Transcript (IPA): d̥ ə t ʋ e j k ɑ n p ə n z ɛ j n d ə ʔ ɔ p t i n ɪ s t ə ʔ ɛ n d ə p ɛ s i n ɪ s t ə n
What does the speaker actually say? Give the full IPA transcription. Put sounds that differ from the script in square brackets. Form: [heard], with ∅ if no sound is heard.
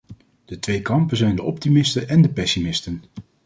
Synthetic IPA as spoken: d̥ ə t ʋ e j k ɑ [m] p ə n z ɛ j n d ə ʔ ɔ p t i [m] ɪ s t ə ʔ ɛ n d ə p ɛ s i [m] ɪ s t ə n